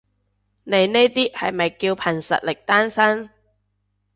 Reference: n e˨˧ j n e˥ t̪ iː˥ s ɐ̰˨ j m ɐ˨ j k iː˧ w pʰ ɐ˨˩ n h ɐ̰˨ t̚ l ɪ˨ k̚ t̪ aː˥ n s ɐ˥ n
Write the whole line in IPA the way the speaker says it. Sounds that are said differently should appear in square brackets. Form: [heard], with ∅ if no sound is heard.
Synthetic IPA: n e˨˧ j n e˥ t̪ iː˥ [h] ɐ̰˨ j m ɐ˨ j k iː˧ w pʰ ɐ˨˩ n [s] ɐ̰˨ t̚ l ɪ˨ k̚ t̪ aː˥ n s ɐ˥ n